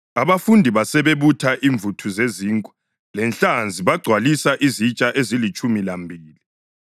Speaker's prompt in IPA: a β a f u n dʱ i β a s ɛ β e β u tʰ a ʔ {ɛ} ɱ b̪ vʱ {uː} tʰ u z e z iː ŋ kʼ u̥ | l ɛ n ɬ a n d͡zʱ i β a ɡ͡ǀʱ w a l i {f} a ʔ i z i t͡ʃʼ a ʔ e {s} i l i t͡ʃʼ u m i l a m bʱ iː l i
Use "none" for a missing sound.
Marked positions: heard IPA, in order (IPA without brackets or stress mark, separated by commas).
i, u, s, z